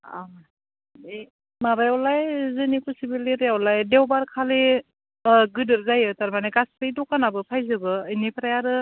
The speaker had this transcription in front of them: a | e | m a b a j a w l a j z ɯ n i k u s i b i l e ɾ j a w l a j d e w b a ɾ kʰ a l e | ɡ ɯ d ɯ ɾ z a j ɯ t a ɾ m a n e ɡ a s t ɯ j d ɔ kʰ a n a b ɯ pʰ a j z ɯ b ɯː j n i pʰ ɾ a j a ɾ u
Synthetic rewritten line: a | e | m a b a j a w l a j z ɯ n i k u s i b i l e ɾ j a w l a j d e w b a ɾ kʰ a l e | ɡ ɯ d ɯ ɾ z a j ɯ t a ɾ m a n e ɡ a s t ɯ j d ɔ k a n a b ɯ pʰ a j z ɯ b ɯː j n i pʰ ɾ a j a ɾ ɯ